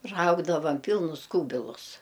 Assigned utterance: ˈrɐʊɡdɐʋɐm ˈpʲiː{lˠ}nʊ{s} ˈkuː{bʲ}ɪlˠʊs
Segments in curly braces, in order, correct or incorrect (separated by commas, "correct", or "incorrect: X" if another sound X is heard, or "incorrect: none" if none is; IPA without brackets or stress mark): correct, correct, correct